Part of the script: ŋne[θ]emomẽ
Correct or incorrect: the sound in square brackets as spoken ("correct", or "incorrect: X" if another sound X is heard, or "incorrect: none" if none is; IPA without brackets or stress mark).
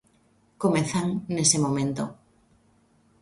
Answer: incorrect: s